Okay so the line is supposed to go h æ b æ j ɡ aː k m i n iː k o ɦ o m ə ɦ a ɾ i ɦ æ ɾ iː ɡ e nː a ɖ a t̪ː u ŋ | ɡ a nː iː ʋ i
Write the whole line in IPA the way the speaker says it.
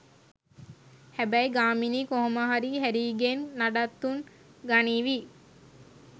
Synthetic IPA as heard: h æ b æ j ɡ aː m i n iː k o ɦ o m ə ɦ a ɾ i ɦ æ ɾ iː ɡ e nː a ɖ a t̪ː u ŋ | ɡ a n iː ʋ i